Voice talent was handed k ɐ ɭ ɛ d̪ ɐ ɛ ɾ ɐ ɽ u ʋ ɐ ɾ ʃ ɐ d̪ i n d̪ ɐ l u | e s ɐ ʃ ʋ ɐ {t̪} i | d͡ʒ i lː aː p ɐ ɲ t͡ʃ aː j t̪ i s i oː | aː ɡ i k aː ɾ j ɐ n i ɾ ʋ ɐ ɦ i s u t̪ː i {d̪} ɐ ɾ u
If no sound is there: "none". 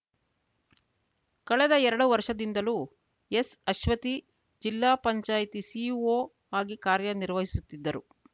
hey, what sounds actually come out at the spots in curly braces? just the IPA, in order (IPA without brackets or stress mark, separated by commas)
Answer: t̪, d̪ː